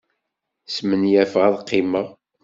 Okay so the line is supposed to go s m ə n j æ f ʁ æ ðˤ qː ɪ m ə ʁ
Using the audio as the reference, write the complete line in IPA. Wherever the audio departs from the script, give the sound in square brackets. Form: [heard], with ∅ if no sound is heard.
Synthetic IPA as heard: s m ə n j æ f ʁ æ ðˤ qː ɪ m ə ʁ